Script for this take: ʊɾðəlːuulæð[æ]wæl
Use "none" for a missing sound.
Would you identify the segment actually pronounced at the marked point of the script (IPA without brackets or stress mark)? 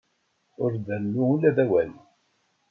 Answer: æ